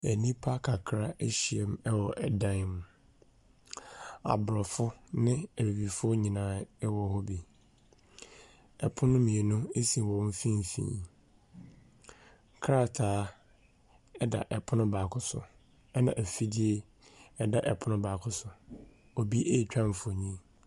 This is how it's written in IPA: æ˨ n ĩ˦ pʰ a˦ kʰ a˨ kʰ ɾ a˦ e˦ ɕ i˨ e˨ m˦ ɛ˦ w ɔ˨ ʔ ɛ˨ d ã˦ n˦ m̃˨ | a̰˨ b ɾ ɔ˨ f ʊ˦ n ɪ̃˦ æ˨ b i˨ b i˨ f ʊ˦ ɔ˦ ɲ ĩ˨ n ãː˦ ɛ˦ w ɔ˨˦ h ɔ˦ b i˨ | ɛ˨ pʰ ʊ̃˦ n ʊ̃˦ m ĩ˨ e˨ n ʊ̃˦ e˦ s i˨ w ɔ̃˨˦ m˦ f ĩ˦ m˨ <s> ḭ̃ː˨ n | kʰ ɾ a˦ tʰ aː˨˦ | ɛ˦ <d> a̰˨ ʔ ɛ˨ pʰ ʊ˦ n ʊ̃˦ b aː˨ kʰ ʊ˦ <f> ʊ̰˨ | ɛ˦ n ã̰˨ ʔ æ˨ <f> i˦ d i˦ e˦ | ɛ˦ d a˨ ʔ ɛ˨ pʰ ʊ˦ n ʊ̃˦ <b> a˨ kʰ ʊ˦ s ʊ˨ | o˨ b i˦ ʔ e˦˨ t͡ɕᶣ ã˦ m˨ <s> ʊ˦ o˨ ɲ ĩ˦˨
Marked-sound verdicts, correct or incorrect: incorrect: f, correct, incorrect: s, correct, correct, incorrect: f

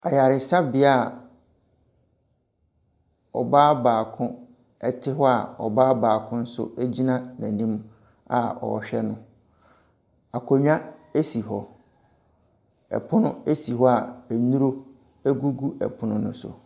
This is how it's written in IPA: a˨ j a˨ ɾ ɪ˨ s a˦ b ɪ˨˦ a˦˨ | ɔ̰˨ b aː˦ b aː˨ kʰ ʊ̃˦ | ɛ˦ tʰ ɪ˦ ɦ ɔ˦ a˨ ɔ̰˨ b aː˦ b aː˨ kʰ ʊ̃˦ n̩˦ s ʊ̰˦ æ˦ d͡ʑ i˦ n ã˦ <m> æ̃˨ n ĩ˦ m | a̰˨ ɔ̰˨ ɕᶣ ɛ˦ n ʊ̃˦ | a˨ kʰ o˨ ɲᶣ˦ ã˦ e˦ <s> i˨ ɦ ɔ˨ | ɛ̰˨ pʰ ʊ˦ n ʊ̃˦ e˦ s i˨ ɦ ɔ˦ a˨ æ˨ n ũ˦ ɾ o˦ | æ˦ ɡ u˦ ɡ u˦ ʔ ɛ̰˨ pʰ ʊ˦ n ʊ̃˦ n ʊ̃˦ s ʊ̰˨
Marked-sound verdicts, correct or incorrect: incorrect: n, correct

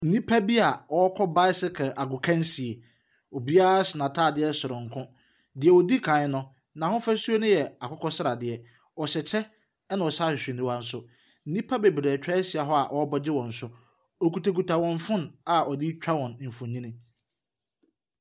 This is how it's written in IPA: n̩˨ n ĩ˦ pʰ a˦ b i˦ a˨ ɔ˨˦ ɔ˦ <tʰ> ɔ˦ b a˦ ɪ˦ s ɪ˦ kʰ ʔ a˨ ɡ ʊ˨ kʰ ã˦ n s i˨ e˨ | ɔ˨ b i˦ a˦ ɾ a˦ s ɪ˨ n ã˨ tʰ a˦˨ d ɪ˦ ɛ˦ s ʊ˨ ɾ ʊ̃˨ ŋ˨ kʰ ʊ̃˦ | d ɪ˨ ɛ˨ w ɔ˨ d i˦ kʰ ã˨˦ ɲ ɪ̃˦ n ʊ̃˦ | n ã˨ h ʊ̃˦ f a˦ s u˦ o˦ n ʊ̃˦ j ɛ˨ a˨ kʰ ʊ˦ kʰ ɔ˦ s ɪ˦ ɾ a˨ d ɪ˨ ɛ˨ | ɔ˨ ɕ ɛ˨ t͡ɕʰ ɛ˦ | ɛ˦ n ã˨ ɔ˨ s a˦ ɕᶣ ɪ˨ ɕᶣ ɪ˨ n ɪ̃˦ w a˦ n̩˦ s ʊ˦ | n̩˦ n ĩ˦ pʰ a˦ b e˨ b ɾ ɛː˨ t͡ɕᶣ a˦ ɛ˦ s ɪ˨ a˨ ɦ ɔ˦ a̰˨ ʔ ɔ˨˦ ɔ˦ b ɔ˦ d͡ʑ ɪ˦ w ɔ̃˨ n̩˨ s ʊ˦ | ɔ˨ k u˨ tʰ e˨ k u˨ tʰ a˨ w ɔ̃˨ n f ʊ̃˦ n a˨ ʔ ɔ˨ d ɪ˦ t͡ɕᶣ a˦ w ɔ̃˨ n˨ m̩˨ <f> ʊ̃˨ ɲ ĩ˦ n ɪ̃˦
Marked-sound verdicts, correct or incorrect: incorrect: kʰ, correct

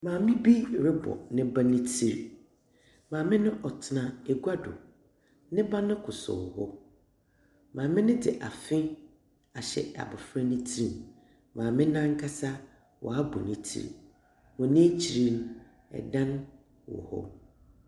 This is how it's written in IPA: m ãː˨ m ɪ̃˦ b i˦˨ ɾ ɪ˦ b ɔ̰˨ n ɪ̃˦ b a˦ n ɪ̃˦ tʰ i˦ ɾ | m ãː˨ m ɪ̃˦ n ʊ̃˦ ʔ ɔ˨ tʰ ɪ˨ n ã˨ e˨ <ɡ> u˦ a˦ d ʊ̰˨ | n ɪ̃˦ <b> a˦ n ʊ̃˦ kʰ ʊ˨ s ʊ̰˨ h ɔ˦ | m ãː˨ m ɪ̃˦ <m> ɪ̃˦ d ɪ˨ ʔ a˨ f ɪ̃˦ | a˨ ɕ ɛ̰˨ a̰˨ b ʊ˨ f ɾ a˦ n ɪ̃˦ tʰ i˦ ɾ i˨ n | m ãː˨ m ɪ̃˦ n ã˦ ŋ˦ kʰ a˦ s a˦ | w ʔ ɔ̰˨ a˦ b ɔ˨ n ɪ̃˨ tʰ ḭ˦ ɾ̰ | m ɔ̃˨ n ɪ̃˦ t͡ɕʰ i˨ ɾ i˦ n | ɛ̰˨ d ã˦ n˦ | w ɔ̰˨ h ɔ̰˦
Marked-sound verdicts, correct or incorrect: correct, correct, incorrect: n

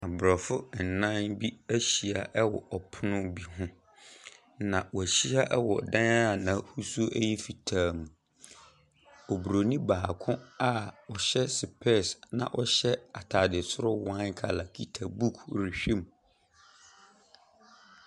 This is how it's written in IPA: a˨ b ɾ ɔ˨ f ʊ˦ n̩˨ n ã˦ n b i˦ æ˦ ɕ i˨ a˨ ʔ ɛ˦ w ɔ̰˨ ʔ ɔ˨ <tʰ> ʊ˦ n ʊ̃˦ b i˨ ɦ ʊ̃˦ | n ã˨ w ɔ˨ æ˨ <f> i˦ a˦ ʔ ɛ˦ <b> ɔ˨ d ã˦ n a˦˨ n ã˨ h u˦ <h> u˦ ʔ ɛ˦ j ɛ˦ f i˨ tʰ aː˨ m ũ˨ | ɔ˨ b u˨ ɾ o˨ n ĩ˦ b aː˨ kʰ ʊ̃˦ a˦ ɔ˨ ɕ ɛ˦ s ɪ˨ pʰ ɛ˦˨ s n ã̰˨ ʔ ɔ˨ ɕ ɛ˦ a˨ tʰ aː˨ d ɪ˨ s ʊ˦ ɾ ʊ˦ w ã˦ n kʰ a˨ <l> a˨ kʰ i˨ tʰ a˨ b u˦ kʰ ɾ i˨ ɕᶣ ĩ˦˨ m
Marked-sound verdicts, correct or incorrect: incorrect: pʰ, incorrect: ɕ, incorrect: w, incorrect: s, correct

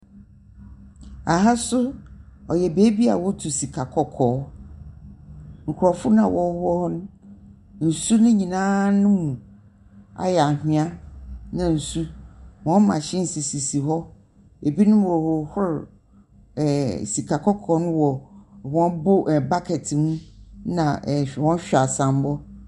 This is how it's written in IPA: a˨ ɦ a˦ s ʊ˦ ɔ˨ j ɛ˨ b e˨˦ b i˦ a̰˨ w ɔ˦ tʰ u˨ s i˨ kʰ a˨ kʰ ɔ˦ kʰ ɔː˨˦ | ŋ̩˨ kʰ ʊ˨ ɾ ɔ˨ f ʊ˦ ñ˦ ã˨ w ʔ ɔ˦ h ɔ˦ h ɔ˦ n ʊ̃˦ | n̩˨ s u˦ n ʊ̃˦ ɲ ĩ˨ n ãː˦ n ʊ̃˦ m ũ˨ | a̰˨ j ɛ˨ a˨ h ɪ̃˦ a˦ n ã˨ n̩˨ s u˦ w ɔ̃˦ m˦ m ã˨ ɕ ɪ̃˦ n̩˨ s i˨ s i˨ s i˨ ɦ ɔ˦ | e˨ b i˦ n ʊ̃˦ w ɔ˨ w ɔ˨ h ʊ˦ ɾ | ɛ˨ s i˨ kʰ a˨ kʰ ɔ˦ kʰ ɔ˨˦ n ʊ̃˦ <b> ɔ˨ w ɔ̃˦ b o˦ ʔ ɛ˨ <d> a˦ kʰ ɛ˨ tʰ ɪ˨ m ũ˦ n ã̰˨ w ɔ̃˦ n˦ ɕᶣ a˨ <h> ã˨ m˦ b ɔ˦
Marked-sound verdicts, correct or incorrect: incorrect: w, incorrect: b, incorrect: s

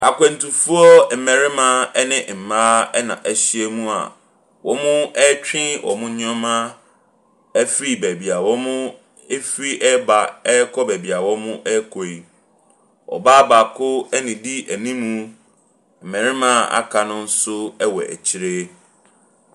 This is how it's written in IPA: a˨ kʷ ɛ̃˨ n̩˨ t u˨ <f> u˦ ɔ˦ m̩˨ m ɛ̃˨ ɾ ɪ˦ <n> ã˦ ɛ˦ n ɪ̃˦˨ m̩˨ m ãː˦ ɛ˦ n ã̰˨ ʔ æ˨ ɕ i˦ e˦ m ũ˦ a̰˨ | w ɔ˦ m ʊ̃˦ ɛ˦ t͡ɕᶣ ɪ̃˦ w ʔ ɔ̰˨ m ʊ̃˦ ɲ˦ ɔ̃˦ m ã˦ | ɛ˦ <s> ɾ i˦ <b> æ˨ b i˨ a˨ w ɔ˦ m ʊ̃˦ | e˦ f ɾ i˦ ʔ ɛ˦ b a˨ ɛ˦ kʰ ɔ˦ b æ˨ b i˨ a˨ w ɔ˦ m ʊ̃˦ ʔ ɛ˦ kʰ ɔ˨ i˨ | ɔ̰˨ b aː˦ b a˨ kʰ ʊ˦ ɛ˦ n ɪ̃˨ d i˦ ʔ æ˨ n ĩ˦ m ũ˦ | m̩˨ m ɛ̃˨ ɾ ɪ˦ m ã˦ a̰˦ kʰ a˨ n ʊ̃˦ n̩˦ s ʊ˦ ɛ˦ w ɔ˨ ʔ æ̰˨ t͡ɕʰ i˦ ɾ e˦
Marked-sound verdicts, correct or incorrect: correct, incorrect: m, incorrect: f, correct

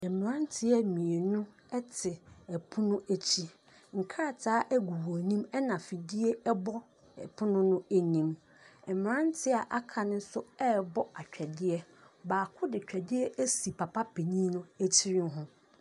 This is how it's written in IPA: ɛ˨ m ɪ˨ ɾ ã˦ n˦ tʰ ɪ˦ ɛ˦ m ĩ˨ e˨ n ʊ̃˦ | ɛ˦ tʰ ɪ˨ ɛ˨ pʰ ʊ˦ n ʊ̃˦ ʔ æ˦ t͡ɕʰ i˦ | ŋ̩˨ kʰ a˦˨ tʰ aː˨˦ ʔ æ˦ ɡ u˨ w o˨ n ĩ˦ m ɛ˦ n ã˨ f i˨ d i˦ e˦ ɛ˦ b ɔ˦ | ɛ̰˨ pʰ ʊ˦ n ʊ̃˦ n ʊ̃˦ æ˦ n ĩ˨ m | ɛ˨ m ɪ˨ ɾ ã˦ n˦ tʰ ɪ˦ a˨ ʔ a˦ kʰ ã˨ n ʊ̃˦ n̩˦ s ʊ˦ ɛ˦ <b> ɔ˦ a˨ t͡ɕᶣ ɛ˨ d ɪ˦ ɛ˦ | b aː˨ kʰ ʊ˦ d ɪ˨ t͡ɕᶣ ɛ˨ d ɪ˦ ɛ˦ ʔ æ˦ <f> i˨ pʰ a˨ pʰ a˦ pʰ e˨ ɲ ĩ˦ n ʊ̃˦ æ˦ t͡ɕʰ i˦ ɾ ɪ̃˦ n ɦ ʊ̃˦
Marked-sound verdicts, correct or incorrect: correct, incorrect: s

